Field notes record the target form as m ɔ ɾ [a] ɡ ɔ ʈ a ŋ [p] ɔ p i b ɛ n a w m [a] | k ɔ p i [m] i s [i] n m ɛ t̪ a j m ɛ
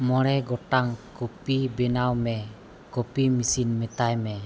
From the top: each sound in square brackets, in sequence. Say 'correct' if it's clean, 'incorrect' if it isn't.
incorrect: ɛ, incorrect: k, incorrect: ɛ, correct, correct

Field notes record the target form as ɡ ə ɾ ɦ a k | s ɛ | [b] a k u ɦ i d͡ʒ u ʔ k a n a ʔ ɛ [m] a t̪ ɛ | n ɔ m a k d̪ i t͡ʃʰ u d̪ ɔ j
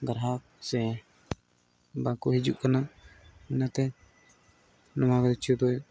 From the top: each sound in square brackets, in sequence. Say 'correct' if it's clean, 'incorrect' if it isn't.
correct, incorrect: n

